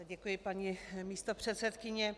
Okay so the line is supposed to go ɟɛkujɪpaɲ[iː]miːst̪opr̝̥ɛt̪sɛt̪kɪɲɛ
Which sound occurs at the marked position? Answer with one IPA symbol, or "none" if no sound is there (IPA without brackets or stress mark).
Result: i